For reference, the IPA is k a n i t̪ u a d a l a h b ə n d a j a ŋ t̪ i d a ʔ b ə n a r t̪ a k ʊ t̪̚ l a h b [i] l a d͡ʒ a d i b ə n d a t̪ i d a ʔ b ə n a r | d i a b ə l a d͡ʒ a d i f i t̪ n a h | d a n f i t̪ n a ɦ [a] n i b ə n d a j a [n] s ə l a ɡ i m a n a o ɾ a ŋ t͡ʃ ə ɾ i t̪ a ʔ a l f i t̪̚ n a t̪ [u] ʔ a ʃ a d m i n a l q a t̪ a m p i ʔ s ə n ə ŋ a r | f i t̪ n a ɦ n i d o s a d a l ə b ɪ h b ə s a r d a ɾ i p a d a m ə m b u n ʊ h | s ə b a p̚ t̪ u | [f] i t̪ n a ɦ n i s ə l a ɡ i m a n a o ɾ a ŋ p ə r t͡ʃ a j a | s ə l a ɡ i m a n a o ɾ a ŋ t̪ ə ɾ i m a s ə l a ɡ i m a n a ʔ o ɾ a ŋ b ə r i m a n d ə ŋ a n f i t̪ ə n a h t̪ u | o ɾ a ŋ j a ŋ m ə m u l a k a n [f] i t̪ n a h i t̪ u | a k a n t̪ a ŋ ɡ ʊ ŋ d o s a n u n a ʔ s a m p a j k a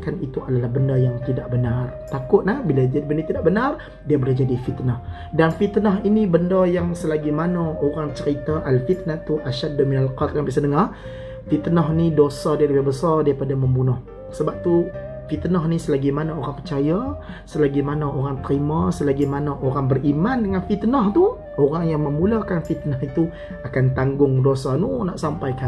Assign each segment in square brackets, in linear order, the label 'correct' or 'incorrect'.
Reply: correct, incorrect: i, incorrect: ŋ, correct, correct, correct

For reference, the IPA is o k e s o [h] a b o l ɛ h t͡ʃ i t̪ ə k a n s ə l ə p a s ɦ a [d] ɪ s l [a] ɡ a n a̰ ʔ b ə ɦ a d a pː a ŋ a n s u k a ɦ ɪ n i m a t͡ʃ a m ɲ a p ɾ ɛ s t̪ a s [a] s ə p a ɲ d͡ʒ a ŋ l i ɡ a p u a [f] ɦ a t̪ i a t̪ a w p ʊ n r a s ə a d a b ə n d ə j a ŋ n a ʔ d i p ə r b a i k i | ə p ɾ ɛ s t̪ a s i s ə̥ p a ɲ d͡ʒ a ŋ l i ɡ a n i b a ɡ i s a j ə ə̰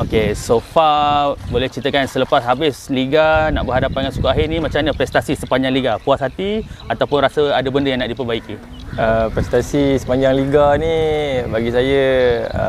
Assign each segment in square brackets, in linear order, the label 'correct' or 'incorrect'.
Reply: incorrect: f, incorrect: b, incorrect: i, incorrect: i, incorrect: s

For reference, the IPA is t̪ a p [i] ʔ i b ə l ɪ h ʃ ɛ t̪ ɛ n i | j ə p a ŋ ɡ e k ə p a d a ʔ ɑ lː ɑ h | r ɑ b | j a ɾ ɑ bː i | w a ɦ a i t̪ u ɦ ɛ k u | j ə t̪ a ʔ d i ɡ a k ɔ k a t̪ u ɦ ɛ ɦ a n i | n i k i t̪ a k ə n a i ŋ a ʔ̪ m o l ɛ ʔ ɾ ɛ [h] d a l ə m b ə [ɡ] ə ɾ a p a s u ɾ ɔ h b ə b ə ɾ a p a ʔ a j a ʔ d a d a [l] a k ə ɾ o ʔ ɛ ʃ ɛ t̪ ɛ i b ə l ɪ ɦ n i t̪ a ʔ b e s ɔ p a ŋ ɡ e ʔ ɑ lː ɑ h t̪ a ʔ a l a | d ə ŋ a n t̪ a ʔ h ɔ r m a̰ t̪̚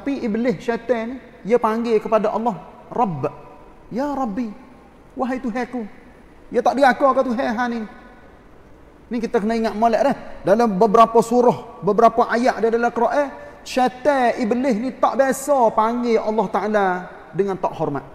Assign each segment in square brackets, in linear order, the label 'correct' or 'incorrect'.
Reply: correct, correct, incorrect: b, correct

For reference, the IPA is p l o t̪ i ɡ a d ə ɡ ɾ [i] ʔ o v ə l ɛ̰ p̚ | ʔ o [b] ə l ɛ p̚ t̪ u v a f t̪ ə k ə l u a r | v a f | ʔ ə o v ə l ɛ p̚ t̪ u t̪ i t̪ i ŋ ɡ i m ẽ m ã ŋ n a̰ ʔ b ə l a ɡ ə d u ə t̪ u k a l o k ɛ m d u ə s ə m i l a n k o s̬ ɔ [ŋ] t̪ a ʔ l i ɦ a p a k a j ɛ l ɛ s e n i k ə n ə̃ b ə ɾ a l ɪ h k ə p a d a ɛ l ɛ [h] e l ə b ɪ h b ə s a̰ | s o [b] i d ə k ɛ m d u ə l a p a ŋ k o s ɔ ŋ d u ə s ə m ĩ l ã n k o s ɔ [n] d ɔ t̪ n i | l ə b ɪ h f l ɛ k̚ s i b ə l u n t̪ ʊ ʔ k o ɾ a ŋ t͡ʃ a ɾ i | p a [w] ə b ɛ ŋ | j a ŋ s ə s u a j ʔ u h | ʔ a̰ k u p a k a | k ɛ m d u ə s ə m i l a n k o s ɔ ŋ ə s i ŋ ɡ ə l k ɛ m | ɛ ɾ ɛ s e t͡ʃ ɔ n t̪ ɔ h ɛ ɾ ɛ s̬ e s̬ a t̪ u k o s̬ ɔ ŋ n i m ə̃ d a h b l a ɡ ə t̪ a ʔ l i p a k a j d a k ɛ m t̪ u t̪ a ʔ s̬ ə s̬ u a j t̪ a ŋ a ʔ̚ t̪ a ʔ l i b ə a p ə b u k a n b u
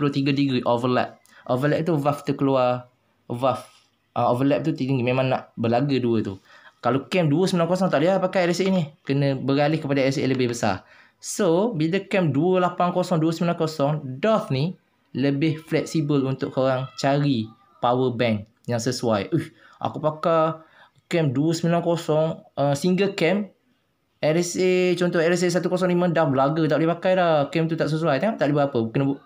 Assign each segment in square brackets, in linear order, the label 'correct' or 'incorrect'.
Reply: correct, incorrect: v, correct, incorrect: s, correct, incorrect: ŋ, correct

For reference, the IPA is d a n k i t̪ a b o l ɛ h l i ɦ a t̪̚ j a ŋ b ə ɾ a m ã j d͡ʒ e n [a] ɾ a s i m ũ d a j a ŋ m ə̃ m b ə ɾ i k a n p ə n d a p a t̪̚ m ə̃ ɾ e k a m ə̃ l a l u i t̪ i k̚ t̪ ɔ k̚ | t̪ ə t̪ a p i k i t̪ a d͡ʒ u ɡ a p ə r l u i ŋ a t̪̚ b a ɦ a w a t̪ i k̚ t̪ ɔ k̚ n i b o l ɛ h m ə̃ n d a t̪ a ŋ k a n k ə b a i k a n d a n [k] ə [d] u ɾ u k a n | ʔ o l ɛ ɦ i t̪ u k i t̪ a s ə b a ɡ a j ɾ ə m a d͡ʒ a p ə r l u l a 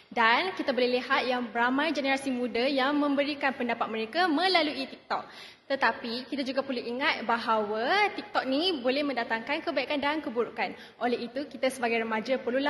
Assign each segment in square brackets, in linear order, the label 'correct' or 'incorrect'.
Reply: incorrect: ə, correct, incorrect: b

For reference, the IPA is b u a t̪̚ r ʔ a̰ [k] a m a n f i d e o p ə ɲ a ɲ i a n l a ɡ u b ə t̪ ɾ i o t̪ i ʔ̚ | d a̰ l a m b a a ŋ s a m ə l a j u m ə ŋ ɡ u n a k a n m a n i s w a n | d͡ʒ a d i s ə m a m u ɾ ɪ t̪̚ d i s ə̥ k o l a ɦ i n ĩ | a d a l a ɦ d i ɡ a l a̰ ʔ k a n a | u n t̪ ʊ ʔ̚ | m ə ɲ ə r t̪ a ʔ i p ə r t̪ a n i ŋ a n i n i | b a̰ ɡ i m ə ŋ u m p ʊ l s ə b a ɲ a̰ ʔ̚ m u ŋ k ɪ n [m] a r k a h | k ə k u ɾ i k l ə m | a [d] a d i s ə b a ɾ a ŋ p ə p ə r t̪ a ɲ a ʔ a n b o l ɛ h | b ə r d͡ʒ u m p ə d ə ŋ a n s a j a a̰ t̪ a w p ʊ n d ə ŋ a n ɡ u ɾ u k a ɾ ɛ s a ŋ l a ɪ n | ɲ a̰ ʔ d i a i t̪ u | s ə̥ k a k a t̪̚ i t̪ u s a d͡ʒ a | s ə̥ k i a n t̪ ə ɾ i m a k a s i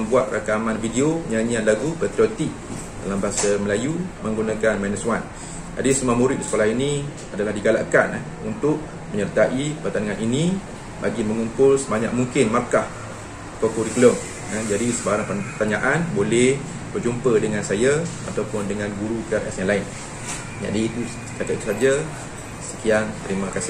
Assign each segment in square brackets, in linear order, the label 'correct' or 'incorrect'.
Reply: correct, correct, incorrect: d͡ʒ

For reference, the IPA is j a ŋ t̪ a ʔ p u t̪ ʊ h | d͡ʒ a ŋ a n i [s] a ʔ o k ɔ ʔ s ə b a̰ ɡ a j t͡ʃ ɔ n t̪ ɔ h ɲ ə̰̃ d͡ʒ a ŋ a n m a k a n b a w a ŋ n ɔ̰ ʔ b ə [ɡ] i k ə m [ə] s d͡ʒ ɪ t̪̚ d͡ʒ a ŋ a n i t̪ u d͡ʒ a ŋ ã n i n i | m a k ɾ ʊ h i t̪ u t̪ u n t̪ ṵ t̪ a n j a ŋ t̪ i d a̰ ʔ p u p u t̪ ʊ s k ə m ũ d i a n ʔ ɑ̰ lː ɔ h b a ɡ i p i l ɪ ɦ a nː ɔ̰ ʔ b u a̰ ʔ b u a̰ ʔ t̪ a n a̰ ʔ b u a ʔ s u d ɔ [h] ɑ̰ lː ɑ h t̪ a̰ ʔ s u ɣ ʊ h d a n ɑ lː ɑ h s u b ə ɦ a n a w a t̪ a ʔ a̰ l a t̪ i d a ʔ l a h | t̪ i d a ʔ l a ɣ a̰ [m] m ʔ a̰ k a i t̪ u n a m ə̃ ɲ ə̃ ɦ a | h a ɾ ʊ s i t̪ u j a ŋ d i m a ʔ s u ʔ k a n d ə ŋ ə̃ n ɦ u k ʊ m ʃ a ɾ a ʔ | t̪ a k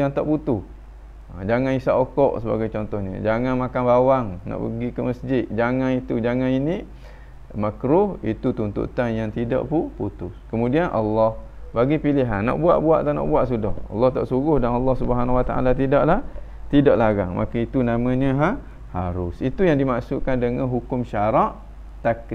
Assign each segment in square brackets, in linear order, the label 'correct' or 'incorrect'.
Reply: correct, correct, correct, correct, incorrect: ŋ

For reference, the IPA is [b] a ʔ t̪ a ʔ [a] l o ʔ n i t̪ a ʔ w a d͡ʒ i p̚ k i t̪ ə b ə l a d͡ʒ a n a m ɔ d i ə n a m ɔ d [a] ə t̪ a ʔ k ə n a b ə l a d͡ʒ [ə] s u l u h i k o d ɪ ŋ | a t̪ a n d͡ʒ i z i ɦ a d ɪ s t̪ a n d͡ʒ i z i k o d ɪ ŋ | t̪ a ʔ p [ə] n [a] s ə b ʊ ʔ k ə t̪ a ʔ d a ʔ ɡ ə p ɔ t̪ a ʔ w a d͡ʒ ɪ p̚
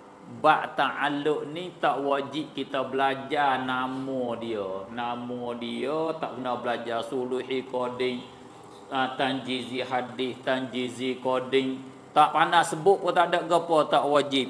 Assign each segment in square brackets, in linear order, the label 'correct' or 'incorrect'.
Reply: correct, correct, incorrect: i, incorrect: a, incorrect: a, correct

